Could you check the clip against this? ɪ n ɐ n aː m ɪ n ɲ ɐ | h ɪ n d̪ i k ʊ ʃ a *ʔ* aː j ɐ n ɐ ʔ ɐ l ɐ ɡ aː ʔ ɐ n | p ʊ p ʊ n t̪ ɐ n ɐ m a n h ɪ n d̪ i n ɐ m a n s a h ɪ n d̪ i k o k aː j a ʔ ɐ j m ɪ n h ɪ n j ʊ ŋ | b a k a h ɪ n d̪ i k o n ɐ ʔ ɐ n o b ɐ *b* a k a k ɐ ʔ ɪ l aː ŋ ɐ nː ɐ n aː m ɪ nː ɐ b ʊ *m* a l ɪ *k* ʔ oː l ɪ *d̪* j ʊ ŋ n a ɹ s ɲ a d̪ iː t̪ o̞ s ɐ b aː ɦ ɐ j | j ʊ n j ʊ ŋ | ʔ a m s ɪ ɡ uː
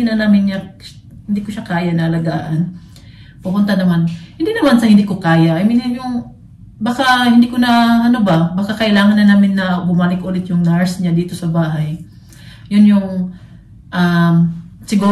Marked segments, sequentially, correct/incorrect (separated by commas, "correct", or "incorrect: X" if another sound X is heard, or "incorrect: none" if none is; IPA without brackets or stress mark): incorrect: k, correct, correct, correct, incorrect: t̪